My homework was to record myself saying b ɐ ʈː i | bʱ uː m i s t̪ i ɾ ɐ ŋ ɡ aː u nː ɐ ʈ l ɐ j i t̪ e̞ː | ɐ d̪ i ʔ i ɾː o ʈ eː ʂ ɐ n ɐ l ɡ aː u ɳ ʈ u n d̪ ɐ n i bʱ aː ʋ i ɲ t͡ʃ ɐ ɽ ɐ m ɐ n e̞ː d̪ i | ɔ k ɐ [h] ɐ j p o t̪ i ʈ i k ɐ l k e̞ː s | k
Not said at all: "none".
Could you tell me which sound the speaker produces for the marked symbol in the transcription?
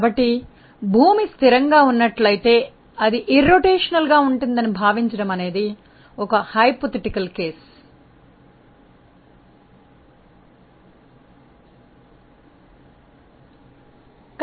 h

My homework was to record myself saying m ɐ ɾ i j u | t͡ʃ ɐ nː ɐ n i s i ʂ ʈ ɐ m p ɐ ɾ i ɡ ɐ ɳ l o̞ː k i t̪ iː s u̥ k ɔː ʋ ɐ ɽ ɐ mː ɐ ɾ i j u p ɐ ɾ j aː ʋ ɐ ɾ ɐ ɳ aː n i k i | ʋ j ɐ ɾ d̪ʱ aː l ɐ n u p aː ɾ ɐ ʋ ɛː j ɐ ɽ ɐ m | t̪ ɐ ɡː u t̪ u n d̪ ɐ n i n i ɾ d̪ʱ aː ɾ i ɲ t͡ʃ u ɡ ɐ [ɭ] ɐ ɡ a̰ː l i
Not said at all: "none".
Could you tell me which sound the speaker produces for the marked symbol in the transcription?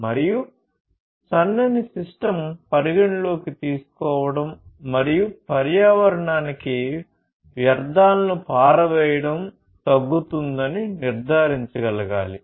l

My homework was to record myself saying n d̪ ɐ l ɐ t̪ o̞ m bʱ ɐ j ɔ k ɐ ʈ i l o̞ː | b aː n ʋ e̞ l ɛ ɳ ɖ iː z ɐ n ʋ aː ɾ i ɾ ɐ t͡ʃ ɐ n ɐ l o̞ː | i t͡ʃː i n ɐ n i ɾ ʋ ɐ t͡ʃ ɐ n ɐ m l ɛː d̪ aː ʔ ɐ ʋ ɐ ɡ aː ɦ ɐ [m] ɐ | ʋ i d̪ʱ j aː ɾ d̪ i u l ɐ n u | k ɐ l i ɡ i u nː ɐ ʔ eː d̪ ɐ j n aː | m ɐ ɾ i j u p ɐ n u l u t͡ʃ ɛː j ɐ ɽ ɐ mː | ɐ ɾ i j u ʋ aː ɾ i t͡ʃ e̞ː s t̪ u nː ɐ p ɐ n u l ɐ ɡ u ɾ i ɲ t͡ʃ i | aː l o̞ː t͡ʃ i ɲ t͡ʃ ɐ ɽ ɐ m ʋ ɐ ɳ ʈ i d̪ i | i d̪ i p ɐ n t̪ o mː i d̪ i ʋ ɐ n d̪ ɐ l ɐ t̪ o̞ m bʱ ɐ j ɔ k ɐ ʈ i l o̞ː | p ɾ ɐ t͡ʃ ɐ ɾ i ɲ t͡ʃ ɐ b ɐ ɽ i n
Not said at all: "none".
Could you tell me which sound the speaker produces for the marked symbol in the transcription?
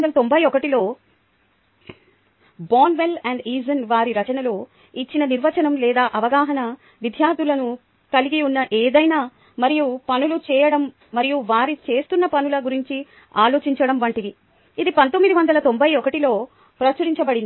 n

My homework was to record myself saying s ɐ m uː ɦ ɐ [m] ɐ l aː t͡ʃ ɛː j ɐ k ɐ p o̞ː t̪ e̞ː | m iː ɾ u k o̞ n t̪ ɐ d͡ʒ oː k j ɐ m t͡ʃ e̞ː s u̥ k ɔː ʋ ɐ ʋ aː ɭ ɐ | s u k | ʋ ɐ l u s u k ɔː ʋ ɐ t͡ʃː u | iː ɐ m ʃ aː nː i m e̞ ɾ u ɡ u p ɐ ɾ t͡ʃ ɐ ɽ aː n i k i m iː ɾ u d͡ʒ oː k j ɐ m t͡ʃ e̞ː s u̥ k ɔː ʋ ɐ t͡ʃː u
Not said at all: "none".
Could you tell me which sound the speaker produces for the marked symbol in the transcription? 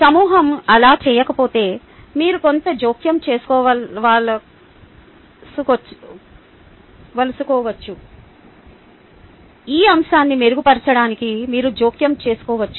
m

